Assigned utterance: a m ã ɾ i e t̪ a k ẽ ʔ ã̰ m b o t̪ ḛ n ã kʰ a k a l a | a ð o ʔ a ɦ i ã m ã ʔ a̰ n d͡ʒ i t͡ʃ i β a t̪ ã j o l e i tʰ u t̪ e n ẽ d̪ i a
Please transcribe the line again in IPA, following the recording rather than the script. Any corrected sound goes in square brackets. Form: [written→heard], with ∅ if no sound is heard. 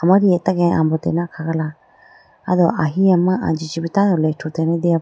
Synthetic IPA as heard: a m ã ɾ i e t̪ a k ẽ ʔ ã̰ m b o t̪ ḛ n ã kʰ a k a l a | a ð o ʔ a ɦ i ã m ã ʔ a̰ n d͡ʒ i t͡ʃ i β [a→i] t̪ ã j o l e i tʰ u t̪ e n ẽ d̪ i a